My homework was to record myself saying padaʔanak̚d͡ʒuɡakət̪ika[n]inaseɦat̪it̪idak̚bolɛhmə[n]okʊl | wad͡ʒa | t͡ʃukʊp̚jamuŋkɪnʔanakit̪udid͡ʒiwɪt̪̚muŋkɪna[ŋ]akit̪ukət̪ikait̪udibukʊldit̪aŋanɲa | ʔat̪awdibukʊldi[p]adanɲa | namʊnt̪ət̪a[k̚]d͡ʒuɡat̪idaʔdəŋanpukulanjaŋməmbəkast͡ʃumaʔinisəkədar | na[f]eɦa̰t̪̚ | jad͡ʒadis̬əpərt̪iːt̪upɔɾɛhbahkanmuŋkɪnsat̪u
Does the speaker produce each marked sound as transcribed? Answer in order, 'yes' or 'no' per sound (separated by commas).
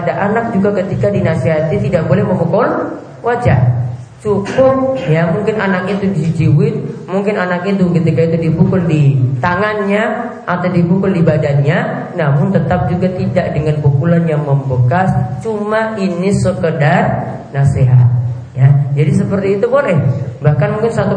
no, no, no, no, no, no